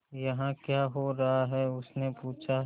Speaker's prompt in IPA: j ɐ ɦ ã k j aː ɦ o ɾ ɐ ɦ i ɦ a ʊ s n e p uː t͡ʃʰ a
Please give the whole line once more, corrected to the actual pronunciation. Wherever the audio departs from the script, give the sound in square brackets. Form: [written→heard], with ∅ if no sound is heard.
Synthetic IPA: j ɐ ɦ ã k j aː ɦ o ɾ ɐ ɦ [i→a] ɦ [a→ɛ] ʊ s n e p uː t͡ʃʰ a